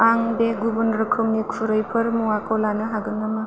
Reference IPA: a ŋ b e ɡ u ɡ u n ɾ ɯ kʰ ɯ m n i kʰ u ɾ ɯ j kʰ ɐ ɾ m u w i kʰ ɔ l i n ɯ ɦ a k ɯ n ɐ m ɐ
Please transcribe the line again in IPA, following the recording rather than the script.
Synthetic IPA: a ŋ b e ɡ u b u n ɾ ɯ kʰ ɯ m n i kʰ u ɾ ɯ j pʰ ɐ ɾ m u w a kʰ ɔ l a n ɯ ɦ a ɡ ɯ n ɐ m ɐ

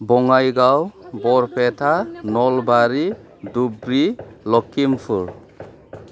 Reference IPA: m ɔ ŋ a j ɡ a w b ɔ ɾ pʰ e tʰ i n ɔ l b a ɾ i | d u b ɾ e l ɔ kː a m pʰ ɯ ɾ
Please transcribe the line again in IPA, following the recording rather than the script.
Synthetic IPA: b ɔ ŋ a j ɡ a w b ɔ ɾ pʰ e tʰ a n ɔ l b a ɾ i | d u b ɾ i l ɔ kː i m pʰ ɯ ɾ

